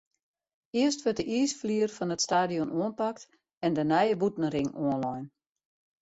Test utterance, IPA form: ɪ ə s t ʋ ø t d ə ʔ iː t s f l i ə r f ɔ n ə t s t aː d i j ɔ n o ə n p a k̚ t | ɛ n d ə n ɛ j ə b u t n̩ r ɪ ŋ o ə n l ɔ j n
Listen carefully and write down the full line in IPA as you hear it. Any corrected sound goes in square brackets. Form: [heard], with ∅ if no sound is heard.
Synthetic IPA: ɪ ə s t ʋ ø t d ə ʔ iː [∅] s f l i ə r f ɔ n ə t s t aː d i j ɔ n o ə n p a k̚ t | ɛ n d ə n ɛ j ə b u t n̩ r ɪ ŋ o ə n l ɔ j n